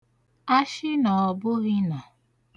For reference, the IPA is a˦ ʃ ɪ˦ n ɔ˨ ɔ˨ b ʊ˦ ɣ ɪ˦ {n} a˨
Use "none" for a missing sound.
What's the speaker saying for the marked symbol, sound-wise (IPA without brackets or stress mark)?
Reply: n